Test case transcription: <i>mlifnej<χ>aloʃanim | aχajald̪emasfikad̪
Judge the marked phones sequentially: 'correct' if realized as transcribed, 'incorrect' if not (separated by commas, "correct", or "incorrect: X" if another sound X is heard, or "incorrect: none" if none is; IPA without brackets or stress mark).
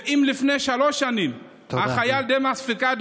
correct, incorrect: ʃ